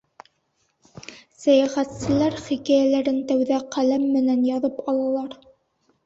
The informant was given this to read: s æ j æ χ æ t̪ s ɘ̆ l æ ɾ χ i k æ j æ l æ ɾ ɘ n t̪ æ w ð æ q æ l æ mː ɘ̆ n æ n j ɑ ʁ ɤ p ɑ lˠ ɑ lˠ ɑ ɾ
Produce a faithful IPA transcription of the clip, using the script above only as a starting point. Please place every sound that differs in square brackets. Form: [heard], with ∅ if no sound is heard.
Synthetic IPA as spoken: s æ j æ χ æ t̪ s ɘ̆ l æ ɾ χ i k æ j æ l æ ɾ ɘ n t̪ æ w ð æ q æ l æ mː ɘ̆ n æ n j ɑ [ð] ɤ p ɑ lˠ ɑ lˠ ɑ ɾ